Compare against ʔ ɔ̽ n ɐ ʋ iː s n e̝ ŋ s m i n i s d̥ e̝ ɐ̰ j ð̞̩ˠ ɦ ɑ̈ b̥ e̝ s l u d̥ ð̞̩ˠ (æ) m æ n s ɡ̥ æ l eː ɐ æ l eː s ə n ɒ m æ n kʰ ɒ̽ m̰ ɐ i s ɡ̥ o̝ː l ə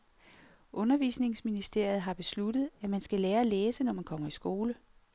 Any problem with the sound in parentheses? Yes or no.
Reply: no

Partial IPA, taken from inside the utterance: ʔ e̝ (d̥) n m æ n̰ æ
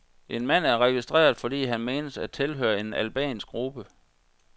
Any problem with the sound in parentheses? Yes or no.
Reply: yes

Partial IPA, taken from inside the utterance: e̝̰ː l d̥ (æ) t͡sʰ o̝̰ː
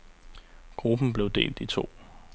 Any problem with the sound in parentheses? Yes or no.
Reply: yes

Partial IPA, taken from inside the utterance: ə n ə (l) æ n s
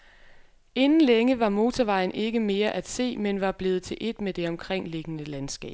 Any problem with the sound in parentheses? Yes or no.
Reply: no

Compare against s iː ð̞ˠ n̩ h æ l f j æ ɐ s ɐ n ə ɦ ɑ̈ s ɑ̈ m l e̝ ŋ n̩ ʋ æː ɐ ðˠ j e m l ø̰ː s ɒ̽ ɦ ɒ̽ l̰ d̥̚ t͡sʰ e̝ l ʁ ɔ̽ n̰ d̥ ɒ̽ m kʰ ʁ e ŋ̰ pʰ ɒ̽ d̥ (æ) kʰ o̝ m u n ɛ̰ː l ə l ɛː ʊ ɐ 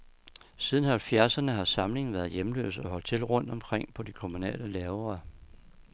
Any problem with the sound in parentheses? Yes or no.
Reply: yes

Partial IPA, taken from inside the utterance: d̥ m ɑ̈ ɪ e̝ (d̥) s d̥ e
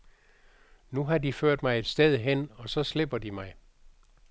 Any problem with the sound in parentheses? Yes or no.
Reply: no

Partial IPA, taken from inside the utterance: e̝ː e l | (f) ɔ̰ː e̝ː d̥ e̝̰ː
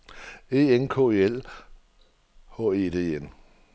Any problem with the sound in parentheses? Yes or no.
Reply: yes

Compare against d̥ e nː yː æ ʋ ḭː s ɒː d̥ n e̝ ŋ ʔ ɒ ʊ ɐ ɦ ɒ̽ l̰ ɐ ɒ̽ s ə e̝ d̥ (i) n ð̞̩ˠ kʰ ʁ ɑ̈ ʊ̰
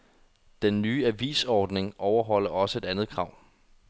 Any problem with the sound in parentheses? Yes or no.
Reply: yes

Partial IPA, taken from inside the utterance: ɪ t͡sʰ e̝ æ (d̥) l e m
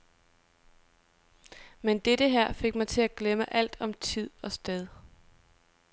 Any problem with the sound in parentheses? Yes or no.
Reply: yes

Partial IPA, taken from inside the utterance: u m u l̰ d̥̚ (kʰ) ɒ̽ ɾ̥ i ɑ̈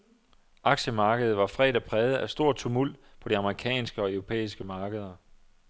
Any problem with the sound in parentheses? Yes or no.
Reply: yes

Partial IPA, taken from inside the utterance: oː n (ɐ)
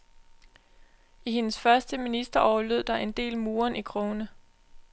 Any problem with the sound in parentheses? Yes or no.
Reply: yes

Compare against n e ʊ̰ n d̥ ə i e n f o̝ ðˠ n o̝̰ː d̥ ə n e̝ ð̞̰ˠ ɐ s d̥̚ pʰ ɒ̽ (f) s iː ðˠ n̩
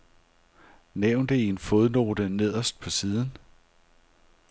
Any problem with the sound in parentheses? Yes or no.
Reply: yes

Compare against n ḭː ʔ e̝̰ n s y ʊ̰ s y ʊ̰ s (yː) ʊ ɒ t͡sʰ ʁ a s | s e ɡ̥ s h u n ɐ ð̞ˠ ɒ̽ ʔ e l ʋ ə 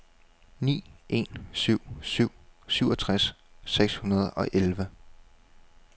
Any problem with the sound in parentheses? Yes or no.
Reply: yes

